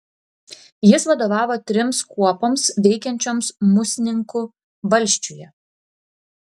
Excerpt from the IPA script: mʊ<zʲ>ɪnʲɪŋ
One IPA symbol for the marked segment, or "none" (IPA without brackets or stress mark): sʲ